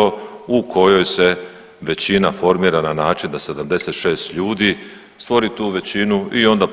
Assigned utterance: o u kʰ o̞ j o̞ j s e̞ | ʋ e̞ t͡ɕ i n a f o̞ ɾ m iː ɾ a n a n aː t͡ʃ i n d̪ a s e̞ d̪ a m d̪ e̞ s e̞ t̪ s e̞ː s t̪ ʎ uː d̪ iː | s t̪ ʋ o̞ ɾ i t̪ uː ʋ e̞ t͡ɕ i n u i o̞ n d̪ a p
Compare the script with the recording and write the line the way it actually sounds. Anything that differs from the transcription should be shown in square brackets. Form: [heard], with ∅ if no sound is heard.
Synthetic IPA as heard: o u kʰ o̞ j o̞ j s e̞ | ʋ e̞ t͡ɕ i n a f o̞ ɾ m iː ɾ a n a n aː t͡ʃ i n d̪ a s e̞ d̪ a m d̪ e̞ s e̞ t̪ [ʃ] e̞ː s t̪ ʎ uː d̪ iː | s t̪ ʋ o̞ ɾ i t̪ uː ʋ e̞ t͡ɕ i n u i o̞ n d̪ a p

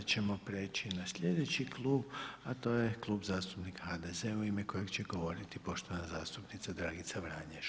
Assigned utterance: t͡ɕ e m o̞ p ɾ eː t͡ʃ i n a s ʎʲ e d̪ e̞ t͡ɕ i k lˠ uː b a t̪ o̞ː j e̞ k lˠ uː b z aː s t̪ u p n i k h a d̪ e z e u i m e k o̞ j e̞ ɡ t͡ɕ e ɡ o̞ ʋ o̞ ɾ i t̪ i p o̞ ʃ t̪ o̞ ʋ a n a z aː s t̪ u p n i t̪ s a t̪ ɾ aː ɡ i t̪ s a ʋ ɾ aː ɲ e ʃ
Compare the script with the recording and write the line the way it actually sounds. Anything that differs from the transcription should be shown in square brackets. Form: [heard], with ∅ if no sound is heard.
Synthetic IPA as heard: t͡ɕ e m o̞ p ɾ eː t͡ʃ i n a s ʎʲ e d̪ e̞ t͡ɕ i k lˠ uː b a t̪ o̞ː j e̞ k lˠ uː b z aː s t̪ u p n i k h a d̪ e z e u i m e k o̞ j e̞ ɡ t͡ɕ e ɡ o̞ ʋ o̞ ɾ i t̪ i p o̞ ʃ t̪ o̞ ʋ a n a z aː s t̪ u p n i t̪ s a [d̪] ɾ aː ɡ i t̪ s a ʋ ɾ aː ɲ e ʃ

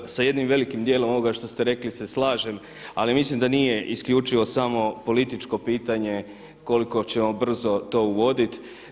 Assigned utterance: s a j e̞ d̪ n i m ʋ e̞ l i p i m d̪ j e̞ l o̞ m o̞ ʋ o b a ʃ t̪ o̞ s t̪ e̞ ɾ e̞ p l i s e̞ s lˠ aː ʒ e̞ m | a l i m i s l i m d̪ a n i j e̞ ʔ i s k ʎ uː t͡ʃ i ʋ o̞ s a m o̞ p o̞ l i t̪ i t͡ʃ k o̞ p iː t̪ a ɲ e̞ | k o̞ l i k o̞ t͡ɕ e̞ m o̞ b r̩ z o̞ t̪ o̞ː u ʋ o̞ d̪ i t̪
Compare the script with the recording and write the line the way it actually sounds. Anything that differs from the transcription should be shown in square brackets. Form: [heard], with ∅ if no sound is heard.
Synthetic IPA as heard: s a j e̞ d̪ n i m ʋ e̞ l i [k] i m d̪ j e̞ l o̞ m o̞ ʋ o [ɡ] a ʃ t̪ o̞ s t̪ e̞ ɾ e̞ [k] l i s e̞ s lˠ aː ʒ e̞ m | a l i m i s l i m d̪ a n i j e̞ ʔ i s k ʎ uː t͡ʃ i ʋ o̞ s a m o̞ p o̞ l i t̪ i t͡ʃ k o̞ p iː t̪ a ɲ e̞ | k o̞ l i k o̞ t͡ɕ e̞ m o̞ b r̩ z o̞ t̪ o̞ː u ʋ o̞ d̪ i t̪

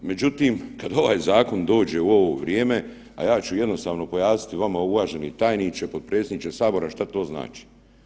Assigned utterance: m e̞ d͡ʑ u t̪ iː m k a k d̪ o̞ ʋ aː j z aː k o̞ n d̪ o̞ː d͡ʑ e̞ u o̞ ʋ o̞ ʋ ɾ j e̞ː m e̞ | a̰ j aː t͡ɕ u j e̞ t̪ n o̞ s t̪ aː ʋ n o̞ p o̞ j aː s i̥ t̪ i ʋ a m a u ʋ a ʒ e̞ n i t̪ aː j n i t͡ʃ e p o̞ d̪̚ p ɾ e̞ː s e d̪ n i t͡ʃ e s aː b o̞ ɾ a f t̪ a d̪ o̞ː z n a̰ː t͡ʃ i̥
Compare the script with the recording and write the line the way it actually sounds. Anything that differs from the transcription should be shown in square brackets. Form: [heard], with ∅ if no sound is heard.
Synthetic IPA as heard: m e̞ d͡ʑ u t̪ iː m k a [∅] d̪ o̞ ʋ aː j z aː k o̞ n d̪ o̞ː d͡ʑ e̞ u o̞ ʋ o̞ ʋ ɾ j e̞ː m e̞ | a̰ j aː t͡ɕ u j e̞ [d̪] n o̞ s t̪ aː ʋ n o̞ p o̞ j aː s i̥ t̪ i ʋ a m a u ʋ a ʒ e̞ n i t̪ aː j n i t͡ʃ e p o̞ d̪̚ p ɾ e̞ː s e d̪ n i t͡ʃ e s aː b o̞ ɾ a [ʃ] t̪ a [t̪] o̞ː z n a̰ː t͡ʃ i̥

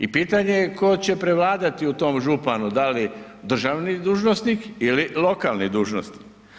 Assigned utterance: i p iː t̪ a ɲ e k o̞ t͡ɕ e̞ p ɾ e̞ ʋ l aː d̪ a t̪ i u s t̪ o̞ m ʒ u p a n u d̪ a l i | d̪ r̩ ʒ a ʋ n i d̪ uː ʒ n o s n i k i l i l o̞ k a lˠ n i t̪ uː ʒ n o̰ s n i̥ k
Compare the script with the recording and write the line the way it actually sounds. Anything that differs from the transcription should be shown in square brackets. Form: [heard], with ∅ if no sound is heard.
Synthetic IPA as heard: i p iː t̪ a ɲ e k o̞ t͡ɕ e̞ p ɾ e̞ ʋ l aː d̪ a t̪ i u [∅] t̪ o̞ m ʒ u p a n u d̪ a l i | d̪ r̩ ʒ a ʋ n i d̪ uː ʒ n o s n i k i l i l o̞ k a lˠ n i [d̪] uː ʒ n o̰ s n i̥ k

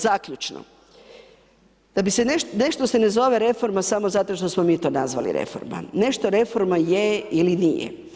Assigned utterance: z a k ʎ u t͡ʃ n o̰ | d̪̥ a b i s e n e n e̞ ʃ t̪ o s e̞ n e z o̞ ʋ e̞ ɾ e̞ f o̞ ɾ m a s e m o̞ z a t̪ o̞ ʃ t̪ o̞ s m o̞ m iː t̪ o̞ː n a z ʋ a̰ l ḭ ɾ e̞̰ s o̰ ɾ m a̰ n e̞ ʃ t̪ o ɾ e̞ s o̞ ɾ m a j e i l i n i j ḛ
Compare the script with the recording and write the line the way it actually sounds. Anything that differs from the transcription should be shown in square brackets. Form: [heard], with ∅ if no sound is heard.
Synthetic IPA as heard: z a k ʎ u t͡ʃ n o̰ | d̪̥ a b i s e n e n e̞ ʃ t̪ o s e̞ n e z o̞ ʋ e̞ ɾ e̞ f o̞ ɾ m a s [a] m o̞ z a t̪ o̞ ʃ t̪ o̞ s m o̞ m iː t̪ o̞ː n a z ʋ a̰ l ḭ ɾ e̞̰ [f] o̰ ɾ m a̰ n e̞ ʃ t̪ o ɾ e̞ [f] o̞ ɾ m a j e i l i n i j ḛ

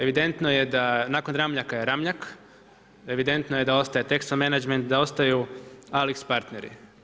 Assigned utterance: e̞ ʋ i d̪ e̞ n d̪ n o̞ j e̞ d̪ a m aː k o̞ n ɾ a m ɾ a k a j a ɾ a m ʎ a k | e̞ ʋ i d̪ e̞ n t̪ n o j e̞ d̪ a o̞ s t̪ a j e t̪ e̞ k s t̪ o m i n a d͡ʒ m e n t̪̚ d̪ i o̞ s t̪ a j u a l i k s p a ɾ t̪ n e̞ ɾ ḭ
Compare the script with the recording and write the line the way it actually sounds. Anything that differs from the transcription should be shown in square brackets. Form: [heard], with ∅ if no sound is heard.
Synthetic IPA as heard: e̞ ʋ i d̪ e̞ n [t̪] n o̞ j e̞ d̪ a [n] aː k o̞ n ɾ a m [ʎ] a k a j [e] ɾ a m ʎ a k | e̞ ʋ i d̪ e̞ n t̪ n o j e̞ d̪ a o̞ s t̪ a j e t̪ e̞ k s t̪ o m [e] n a d͡ʒ m e n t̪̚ d̪ [a] o̞ s t̪ a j u a l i k s p a ɾ t̪ n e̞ ɾ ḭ

